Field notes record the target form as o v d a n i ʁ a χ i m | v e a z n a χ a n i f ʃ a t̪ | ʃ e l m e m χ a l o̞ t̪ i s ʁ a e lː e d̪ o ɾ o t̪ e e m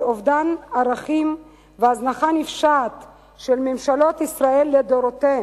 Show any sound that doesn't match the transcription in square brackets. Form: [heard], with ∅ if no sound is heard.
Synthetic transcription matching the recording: o v d a n [a] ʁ a χ i m | v e a z n a χ a n i f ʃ a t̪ | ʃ e l m e m [ʃ] a l o̞ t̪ i s ʁ a e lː e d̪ o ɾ o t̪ e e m